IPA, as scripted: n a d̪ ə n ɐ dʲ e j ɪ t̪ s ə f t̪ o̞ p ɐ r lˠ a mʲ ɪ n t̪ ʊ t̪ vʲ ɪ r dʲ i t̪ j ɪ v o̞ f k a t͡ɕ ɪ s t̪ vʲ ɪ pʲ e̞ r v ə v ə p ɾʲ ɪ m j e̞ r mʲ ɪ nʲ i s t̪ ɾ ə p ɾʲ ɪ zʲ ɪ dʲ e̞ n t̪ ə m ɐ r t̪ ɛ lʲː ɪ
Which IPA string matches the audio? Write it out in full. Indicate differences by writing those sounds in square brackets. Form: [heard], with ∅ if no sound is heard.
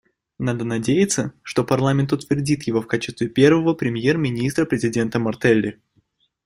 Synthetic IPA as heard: n a d̪ ə n ɐ dʲ e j ɪ t̪ s ə [ʂ] t̪ o̞ p ɐ r lˠ a mʲ ɪ n t̪ ʊ t̪ vʲ ɪ r dʲ i t̪ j ɪ v o̞ f k a t͡ɕ ɪ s t̪ vʲ ɪ pʲ e̞ r v ə v ə p ɾʲ ɪ m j e̞ r mʲ ɪ nʲ i s t̪ ɾ ə p ɾʲ ɪ zʲ ɪ dʲ e̞ n t̪ ə m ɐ r t̪ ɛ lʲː ɪ